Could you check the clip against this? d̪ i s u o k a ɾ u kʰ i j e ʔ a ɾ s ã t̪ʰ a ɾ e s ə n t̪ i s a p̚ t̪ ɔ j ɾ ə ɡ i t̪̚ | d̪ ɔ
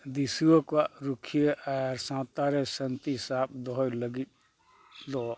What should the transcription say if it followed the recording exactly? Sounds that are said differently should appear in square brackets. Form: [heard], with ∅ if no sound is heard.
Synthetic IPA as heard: d̪ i s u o k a ɾ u kʰ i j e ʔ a ɾ s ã [t̪] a ɾ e s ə n t̪ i s a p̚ [d̪] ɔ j [l] ə ɡ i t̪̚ | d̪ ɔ